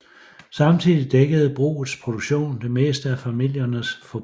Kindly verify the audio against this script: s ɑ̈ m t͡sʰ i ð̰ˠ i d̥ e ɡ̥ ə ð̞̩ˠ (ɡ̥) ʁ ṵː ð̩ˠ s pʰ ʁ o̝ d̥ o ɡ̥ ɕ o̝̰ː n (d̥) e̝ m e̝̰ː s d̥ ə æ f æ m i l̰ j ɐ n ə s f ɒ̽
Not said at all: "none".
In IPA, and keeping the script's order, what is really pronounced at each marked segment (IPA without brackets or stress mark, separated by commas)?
b̥, d̥